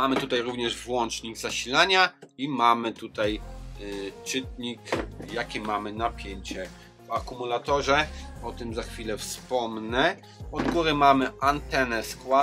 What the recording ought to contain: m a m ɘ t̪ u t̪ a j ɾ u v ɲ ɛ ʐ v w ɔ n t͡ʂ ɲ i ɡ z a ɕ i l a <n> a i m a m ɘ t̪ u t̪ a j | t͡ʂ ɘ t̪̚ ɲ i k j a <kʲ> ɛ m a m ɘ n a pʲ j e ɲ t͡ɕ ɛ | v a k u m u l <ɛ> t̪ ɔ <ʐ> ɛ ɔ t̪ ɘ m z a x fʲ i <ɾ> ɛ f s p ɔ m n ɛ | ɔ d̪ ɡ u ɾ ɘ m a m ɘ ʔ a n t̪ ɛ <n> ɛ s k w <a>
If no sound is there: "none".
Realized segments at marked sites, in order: ɲ, kʲ, a, ʐ, l, n, a

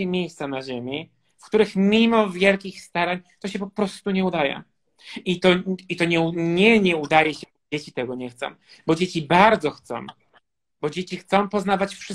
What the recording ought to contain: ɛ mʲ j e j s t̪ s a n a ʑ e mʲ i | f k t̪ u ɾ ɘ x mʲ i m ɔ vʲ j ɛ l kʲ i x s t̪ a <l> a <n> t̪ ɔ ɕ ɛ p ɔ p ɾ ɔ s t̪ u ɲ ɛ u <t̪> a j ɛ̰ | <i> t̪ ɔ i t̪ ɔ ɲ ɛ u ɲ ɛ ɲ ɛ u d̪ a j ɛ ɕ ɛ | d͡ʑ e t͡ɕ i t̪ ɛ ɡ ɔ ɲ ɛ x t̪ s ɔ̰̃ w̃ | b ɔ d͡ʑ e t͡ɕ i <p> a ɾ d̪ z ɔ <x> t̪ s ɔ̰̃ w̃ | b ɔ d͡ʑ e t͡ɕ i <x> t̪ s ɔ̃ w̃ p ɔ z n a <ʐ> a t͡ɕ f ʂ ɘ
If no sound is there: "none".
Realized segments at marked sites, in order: ɾ, ɲ, d̪, i, b, x, x, v

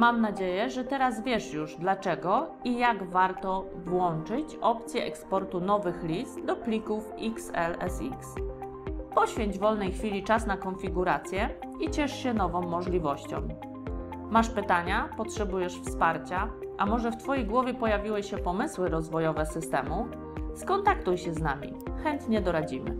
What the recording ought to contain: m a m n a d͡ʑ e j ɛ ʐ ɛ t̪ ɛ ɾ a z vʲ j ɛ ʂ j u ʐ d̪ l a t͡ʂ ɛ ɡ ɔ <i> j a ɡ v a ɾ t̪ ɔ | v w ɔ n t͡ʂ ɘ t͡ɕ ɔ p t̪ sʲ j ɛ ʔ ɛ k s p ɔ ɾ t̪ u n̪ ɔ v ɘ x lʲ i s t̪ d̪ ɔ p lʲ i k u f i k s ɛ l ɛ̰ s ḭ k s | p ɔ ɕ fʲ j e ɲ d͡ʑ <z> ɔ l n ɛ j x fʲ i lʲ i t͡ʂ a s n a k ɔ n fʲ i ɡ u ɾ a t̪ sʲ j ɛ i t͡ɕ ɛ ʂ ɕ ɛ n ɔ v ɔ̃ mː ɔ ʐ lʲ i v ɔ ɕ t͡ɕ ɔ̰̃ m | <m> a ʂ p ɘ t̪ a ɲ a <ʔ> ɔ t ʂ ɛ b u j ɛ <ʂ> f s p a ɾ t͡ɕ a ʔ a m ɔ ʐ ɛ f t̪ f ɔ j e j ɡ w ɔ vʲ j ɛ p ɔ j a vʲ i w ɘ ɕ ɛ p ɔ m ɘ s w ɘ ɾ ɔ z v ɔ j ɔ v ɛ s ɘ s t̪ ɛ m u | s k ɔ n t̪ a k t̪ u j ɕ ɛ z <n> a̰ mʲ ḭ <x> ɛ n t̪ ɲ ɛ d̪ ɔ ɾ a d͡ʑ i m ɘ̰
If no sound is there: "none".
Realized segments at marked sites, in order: i, v, m, p, ʂ, n, x

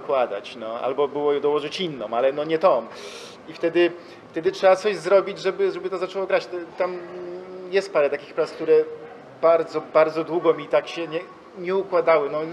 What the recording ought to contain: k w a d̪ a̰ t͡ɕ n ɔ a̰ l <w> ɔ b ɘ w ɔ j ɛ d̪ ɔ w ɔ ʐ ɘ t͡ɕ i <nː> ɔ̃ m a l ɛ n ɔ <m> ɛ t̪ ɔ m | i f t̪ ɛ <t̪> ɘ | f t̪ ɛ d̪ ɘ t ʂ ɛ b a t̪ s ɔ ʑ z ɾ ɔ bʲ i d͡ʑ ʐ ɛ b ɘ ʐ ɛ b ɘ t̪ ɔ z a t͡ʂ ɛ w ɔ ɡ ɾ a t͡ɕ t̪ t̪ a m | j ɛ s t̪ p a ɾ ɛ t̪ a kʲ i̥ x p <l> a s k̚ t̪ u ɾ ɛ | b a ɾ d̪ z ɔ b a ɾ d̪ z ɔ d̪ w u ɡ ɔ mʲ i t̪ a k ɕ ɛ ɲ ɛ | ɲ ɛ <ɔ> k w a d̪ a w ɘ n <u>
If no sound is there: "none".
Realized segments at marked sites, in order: b, nː, ɲ, d̪, ɾ, u, ɔ

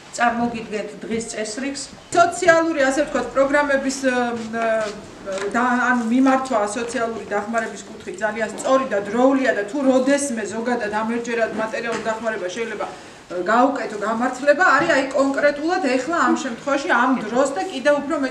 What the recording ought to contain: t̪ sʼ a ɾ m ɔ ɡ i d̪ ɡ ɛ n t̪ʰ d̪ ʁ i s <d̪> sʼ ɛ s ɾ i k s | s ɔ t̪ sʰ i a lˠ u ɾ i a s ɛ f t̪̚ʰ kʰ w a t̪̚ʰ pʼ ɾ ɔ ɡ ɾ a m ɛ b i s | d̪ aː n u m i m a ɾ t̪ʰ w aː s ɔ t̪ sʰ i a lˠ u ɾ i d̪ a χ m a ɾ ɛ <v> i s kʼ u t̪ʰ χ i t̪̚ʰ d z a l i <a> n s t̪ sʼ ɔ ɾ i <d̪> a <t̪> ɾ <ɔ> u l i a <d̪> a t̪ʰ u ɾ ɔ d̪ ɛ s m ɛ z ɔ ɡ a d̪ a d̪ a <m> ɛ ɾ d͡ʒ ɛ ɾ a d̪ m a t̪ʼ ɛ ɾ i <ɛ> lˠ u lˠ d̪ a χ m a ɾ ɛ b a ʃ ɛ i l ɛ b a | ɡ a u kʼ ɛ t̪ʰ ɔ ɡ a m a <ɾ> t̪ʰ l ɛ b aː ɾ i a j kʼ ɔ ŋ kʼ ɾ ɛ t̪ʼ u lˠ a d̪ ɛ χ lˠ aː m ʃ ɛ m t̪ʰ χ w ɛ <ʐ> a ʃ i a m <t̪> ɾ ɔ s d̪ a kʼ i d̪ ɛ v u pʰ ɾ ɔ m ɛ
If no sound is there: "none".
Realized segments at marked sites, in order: t̪, b, a, d̪, d̪, ɔ, d̪, m, a, ɾ, v, d̪

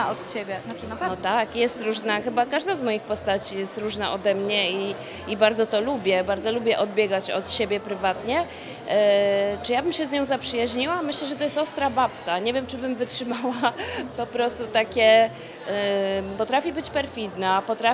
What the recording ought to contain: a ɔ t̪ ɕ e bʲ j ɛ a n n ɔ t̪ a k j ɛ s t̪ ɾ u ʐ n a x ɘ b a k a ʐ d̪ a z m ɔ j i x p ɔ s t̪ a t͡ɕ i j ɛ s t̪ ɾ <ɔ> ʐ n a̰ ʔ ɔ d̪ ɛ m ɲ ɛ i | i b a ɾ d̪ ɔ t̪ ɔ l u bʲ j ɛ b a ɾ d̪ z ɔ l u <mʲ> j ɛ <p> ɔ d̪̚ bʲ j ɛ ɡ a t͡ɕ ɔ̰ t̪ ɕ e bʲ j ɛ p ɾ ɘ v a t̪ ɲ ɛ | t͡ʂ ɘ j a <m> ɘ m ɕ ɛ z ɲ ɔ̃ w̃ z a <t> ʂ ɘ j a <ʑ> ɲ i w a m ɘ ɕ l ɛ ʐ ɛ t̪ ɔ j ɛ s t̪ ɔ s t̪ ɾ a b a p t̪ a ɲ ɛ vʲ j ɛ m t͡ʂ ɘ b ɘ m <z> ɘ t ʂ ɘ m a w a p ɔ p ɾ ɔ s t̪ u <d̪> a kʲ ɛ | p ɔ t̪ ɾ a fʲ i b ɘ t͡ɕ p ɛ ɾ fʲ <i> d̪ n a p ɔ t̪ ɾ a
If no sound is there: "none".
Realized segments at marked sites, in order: u, bʲ, ʔ, b, p, ʑ, v, t̪, i

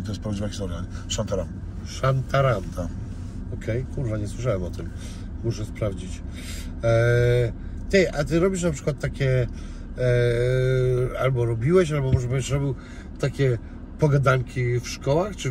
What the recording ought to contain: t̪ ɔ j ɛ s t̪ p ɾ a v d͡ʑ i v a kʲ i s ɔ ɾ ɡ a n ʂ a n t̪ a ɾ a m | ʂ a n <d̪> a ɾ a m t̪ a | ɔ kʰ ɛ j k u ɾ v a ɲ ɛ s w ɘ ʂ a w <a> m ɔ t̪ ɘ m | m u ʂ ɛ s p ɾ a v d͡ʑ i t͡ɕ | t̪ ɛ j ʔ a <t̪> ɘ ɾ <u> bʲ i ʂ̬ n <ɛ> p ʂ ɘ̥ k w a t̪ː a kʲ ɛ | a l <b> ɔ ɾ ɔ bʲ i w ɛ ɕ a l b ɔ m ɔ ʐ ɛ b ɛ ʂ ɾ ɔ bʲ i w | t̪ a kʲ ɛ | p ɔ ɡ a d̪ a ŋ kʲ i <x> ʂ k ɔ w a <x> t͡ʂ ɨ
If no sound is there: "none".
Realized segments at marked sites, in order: t̪, ɛ, t̪, ɔ, a, b, f, x

